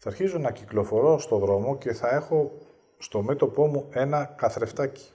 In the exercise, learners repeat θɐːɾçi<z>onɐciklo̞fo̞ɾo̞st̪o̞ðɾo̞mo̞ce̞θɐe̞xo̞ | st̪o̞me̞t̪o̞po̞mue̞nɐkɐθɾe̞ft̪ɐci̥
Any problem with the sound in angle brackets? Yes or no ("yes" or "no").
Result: no